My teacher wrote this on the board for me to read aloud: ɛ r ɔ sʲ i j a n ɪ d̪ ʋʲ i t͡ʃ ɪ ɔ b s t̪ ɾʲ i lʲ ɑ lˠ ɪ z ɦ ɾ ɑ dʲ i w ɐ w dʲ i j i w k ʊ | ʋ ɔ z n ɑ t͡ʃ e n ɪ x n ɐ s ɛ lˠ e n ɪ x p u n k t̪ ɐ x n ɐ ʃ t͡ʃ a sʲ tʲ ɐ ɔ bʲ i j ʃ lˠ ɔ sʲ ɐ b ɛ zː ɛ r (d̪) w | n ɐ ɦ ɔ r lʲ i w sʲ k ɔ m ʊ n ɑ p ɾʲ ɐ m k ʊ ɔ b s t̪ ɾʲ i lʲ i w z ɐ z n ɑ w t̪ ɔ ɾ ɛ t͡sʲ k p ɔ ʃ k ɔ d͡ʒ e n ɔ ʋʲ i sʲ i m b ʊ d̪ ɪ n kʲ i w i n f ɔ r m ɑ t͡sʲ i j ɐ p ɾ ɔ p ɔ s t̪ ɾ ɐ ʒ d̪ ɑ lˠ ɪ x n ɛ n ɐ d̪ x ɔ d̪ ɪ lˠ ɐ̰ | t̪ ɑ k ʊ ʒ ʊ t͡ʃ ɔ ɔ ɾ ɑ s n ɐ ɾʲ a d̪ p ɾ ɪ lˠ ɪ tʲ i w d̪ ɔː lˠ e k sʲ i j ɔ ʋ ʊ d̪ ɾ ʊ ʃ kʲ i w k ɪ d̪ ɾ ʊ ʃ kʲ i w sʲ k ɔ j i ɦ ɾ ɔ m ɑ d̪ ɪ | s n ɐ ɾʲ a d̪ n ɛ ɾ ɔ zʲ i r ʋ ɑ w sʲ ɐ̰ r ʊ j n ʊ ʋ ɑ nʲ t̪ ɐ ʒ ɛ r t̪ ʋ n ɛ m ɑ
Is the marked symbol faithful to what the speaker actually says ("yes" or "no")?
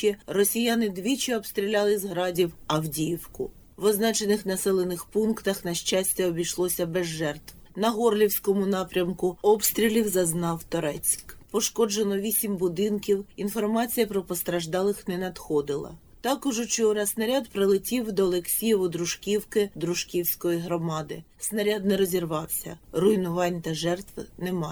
no